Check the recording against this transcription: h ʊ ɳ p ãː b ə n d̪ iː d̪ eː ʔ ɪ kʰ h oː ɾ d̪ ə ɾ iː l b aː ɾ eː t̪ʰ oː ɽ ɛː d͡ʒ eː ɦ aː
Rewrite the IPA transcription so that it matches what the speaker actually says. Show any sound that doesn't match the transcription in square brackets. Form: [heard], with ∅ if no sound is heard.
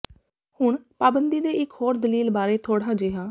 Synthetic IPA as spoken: h ʊ ɳ p [aː] b ə n d̪ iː d̪ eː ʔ ɪ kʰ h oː ɾ d̪ ə [l] iː l b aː ɾ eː t̪ʰ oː ɽ [aː] d͡ʒ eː ɦ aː